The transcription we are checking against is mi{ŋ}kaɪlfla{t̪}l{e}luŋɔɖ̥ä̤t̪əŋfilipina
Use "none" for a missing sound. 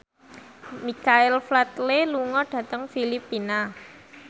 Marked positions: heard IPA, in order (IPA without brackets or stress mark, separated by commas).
none, t̪, e